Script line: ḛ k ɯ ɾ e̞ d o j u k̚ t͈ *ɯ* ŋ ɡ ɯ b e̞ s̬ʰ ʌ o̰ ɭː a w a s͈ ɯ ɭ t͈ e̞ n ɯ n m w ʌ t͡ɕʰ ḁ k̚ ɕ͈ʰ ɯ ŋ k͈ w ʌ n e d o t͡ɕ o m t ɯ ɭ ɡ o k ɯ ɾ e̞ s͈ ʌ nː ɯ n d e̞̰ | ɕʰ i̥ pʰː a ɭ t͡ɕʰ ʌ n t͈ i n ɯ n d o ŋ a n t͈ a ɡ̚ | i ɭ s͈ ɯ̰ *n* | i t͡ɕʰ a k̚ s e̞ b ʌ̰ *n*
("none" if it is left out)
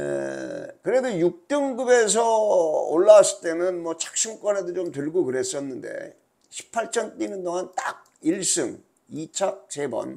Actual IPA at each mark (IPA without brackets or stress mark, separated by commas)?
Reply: ɯ, ŋ, n